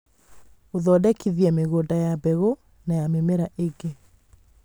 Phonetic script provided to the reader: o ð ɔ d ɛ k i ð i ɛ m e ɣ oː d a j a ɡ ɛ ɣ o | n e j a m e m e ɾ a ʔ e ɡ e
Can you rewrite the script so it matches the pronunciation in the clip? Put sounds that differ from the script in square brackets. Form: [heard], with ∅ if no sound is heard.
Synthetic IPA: o ð ɔ d ɛ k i ð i ɛ m e ɣ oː d a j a [b] ɛ ɣ o | n [a] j a m e m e ɾ a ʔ e ɡ e